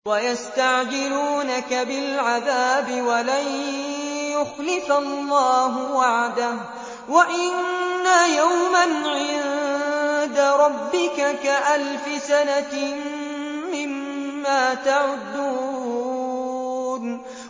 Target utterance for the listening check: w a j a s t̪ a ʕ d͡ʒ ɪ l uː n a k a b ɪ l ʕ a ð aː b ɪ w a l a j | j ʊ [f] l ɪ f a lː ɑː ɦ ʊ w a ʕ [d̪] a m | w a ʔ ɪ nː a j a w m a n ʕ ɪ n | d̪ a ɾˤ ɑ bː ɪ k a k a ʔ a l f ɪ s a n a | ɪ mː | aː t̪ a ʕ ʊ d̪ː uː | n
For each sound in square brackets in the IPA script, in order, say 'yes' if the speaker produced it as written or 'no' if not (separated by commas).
no, yes